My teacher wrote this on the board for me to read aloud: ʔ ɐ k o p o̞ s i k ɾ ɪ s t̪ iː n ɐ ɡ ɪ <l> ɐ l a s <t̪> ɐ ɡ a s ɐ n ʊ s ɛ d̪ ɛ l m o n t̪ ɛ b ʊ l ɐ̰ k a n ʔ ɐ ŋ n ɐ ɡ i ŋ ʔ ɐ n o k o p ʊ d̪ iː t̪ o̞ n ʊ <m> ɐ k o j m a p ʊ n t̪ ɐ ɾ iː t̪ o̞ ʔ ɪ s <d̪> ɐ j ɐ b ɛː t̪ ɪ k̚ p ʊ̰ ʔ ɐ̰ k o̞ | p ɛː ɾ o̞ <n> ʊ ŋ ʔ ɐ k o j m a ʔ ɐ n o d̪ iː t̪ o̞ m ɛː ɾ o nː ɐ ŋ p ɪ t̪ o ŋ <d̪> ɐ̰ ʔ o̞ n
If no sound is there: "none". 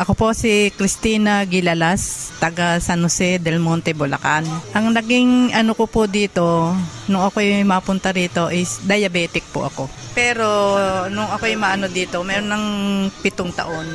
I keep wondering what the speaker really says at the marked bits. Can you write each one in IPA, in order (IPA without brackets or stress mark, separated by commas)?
l, t̪, ŋ, d̪, n, t̪